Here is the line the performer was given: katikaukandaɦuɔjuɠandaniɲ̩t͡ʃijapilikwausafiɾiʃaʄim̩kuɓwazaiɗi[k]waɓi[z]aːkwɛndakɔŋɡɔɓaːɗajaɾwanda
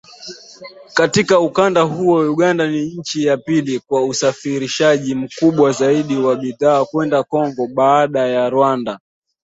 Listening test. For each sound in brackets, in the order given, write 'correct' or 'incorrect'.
incorrect, incorrect

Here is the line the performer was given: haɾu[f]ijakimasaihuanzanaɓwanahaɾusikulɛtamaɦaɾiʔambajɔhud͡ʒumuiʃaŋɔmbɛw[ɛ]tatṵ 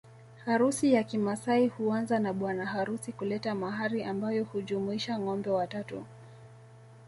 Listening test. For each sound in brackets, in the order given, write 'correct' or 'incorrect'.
incorrect, incorrect

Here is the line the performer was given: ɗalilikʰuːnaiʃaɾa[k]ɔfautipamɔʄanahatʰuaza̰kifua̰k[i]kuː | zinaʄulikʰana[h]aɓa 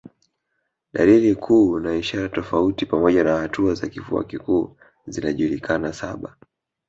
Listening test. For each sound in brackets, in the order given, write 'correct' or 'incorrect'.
incorrect, correct, incorrect

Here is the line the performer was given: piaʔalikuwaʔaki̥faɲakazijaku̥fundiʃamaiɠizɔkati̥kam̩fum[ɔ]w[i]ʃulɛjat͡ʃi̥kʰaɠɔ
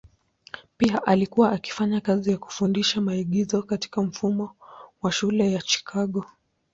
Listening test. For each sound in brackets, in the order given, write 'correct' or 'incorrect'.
correct, incorrect

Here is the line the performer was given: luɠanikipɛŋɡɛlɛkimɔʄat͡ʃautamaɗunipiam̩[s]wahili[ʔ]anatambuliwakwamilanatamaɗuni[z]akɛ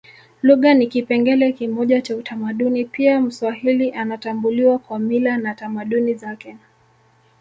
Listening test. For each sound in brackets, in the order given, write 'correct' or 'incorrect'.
correct, correct, correct

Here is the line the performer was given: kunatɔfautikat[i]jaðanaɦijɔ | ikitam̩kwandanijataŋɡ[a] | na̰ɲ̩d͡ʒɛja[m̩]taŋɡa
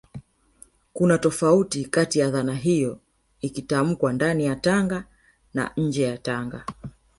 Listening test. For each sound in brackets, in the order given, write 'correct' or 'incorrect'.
correct, correct, incorrect

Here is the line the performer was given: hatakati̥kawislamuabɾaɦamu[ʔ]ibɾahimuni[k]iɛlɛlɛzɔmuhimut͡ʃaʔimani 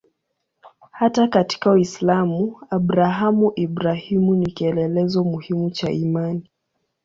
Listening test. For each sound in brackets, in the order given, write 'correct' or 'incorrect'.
correct, correct

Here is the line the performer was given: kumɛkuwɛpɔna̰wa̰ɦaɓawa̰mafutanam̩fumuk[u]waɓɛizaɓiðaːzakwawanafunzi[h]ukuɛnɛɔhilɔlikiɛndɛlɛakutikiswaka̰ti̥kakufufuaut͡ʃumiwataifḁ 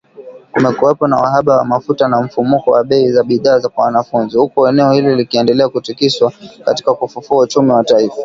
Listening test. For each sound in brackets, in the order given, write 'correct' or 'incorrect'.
incorrect, correct

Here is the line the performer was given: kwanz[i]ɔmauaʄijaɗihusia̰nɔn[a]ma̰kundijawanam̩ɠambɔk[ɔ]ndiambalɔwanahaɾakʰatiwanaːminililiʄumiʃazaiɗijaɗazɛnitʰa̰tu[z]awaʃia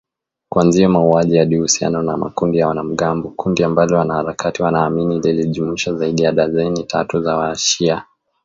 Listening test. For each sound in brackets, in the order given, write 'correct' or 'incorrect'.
correct, correct, incorrect, correct

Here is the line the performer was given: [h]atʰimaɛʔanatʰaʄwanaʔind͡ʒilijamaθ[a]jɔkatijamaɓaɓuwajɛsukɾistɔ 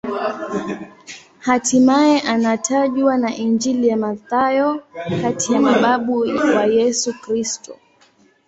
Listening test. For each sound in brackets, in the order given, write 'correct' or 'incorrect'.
correct, correct

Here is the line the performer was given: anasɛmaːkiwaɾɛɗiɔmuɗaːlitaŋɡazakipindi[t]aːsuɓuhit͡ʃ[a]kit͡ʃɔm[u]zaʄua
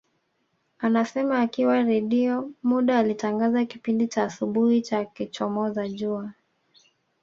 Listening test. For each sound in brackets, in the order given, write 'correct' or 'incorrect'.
incorrect, correct, incorrect

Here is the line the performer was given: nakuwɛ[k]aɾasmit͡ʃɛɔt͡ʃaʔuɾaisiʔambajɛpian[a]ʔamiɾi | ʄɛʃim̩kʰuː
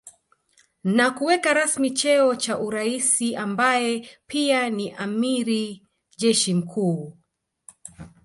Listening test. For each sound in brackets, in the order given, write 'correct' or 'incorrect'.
correct, incorrect

